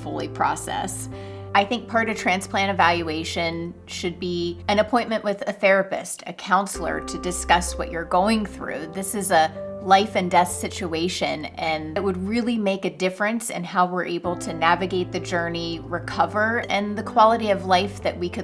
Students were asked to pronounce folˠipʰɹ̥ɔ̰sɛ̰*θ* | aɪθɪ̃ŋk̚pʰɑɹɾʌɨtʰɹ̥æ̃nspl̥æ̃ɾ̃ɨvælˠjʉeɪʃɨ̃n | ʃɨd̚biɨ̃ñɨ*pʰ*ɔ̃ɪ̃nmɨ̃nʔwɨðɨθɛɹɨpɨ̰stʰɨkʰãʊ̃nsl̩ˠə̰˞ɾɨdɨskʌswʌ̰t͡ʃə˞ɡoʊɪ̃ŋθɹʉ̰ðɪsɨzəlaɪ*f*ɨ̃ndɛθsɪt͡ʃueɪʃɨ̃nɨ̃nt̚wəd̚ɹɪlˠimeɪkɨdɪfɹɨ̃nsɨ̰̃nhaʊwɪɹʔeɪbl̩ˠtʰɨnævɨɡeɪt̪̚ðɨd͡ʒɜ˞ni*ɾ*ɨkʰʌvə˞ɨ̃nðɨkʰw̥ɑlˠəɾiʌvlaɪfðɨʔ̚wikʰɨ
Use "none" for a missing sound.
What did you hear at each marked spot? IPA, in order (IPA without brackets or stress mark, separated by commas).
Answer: s, pʰ, f, ɹ